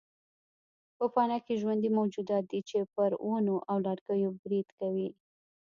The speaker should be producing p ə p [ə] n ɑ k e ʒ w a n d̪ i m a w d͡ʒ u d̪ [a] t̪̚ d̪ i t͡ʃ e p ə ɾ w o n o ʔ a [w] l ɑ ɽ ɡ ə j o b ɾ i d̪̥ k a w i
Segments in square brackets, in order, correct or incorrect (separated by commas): incorrect, incorrect, correct